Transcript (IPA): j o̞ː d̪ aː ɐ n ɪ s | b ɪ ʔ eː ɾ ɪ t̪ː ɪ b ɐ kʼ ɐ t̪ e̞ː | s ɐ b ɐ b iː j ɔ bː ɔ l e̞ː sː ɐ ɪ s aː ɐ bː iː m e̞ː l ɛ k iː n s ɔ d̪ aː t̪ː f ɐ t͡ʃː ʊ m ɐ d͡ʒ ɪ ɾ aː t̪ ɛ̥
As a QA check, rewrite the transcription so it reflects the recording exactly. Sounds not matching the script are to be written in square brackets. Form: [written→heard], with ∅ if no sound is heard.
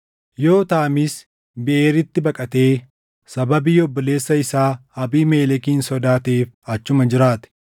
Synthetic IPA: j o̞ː [d̪→t̪] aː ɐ [n→m] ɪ s | b ɪ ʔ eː ɾ ɪ t̪ː ɪ b ɐ kʼ ɐ t̪ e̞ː | s ɐ b ɐ b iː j ɔ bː ɔ l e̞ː sː ɐ ɪ s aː ɐ [bː→b] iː m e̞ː l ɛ k iː n s ɔ d̪ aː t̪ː f ɐ t͡ʃː ʊ m ɐ d͡ʒ ɪ ɾ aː t̪ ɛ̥